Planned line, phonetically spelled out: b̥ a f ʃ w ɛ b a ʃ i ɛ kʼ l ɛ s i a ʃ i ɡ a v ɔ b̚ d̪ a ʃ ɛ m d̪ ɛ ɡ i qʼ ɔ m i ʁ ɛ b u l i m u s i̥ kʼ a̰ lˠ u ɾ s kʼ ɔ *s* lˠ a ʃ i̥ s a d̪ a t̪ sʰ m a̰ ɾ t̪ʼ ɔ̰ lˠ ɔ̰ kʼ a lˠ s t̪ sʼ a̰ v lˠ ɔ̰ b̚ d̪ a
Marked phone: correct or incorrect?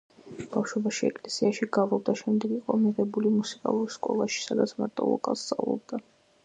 incorrect